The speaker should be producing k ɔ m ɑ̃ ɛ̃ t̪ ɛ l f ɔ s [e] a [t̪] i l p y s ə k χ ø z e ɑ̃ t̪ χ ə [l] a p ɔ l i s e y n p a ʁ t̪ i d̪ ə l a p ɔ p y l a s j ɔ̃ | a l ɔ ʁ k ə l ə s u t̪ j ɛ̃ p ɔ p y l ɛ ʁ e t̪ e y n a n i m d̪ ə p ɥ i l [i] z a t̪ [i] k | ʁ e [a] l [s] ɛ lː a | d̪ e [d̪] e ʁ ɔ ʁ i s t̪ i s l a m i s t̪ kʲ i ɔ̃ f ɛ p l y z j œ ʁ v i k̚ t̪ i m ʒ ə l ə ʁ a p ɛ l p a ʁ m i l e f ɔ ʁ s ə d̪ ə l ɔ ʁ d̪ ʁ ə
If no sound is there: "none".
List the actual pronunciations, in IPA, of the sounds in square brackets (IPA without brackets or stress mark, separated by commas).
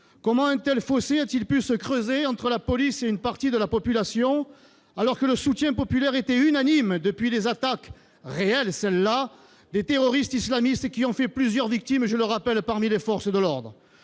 e, t̪, l, e, a, ɛ, s, t̪